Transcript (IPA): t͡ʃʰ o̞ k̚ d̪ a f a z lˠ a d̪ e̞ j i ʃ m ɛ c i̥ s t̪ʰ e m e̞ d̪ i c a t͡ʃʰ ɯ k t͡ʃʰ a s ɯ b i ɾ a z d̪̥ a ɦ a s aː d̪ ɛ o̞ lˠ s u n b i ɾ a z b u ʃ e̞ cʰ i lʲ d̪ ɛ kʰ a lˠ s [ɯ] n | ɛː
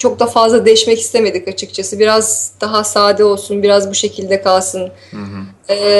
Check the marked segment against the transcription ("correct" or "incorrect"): correct